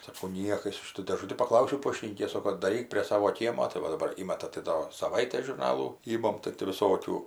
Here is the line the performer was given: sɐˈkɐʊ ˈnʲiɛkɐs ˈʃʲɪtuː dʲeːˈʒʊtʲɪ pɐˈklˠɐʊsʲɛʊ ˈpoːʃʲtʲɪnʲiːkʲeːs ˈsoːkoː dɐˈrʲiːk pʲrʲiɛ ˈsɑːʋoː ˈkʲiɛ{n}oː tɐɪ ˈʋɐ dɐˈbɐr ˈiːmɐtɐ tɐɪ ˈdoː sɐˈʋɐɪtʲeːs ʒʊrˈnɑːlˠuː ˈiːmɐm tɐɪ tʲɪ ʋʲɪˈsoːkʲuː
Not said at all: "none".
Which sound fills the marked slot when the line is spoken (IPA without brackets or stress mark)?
m